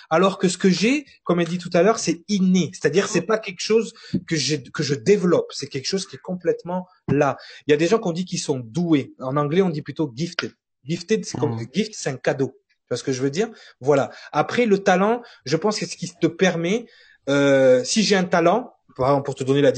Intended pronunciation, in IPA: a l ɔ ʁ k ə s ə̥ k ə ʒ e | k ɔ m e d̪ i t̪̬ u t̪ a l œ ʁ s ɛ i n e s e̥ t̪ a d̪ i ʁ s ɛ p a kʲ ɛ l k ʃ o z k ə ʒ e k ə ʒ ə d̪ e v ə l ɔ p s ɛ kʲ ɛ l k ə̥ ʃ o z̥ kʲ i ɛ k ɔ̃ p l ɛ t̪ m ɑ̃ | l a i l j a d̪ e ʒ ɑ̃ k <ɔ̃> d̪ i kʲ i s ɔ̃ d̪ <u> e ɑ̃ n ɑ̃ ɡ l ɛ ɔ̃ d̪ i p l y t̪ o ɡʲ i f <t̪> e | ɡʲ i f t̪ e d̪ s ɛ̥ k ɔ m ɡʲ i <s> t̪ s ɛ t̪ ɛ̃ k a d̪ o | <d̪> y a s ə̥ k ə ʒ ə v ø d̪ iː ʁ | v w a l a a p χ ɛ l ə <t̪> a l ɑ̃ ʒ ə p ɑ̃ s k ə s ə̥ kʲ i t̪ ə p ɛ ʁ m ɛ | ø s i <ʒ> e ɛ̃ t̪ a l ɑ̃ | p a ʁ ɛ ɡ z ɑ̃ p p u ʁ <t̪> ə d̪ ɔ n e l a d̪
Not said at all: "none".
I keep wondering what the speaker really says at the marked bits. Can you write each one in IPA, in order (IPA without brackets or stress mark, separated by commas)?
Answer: ɔ̃, u, t̪, f, t̪, t̪, ʒ, t̪